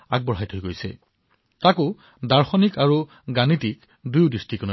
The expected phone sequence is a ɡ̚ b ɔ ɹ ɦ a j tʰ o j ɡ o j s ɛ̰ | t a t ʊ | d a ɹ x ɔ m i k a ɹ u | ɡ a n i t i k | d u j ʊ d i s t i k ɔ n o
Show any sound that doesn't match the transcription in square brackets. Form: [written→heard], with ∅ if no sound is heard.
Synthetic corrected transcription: a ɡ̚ b ɔ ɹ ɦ a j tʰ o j ɡ o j s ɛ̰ | t a [t→k] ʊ | d a ɹ x ɔ [m→n] i k a ɹ u | ɡ a n i t i k | d u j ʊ d i s t i k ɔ n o